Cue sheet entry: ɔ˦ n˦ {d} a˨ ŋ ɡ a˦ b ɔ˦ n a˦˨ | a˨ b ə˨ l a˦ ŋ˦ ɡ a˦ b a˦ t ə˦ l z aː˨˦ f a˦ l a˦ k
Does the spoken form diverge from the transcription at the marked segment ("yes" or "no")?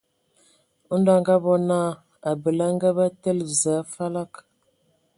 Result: no